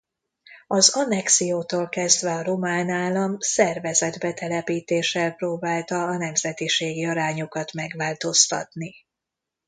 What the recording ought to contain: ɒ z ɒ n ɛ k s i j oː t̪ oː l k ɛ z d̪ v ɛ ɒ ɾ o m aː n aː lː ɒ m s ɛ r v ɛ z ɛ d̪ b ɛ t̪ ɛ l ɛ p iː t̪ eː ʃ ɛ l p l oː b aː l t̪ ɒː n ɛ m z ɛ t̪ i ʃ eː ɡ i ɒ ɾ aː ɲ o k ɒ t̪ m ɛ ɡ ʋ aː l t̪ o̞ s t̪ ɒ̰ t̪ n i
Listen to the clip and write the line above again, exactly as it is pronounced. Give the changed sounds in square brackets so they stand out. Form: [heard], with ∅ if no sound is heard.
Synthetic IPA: ɒ z ɒ n ɛ k s i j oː t̪ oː l k ɛ z d̪ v ɛ ɒ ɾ o m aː n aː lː ɒ m s ɛ r v ɛ z ɛ d̪ b ɛ t̪ ɛ l ɛ p iː t̪ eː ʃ ɛ l p [r] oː b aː l t̪ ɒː n ɛ m z ɛ t̪ i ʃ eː ɡ i ɒ ɾ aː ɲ o k ɒ t̪ m ɛ ɡ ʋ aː l t̪ o̞ s t̪ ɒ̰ t̪ n i